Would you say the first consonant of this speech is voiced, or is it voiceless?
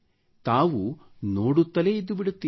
voiceless